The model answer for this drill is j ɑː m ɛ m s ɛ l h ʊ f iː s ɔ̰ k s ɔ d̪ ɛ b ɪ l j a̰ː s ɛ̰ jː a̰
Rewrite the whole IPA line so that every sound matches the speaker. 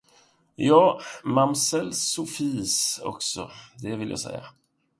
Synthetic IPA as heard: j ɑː m a m s ɛ l s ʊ f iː s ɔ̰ k s ɔ d̪ ɛ v ɪ l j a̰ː s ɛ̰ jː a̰